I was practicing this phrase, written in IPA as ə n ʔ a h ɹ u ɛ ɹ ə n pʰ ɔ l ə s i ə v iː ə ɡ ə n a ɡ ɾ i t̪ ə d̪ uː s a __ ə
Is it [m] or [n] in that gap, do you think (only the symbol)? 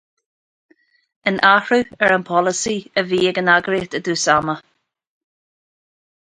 m